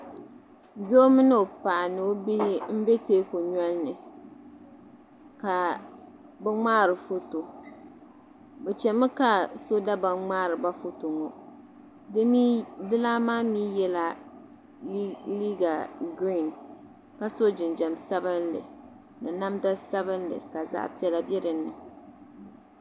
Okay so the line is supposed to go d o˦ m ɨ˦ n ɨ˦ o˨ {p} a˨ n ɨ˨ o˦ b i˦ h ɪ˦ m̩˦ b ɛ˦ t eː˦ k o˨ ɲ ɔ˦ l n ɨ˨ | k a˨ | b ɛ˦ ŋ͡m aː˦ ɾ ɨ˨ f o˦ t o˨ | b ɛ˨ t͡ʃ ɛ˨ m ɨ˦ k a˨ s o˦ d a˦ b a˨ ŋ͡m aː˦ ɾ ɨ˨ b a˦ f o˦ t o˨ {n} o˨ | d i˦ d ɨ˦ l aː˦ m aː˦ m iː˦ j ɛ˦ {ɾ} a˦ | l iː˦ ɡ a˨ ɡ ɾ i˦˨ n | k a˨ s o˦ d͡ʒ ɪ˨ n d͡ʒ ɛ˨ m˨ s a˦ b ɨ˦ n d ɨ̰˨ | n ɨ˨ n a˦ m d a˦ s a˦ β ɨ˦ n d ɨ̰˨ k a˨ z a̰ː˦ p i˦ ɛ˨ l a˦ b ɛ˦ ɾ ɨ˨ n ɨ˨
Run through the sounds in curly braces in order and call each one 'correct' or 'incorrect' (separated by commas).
correct, incorrect, incorrect